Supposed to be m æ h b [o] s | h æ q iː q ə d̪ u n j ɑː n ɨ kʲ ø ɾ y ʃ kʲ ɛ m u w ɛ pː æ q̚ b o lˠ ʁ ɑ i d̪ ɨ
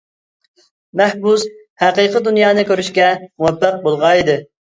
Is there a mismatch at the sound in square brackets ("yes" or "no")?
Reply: yes